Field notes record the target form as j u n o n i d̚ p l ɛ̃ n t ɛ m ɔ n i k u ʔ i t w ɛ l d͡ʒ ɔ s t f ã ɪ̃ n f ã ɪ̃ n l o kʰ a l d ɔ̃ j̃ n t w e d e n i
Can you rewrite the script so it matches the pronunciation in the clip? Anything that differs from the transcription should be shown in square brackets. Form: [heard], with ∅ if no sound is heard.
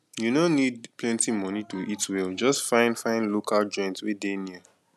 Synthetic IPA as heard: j u n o n i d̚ p l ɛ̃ n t [i] m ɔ n i [t] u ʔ i t w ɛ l d͡ʒ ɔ s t f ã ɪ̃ n f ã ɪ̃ n l o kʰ a l [d͡ʒ] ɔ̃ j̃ n t w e d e n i